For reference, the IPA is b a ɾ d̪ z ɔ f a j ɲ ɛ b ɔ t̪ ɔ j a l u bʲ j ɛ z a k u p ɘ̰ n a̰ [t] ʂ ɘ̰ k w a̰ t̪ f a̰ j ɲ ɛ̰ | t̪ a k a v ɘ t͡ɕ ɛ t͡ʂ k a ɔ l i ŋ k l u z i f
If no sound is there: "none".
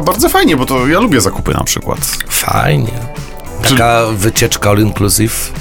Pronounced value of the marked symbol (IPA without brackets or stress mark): p